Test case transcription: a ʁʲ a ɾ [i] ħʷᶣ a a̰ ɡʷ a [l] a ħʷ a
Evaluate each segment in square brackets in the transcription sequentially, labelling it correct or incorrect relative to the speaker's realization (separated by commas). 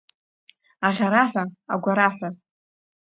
incorrect, incorrect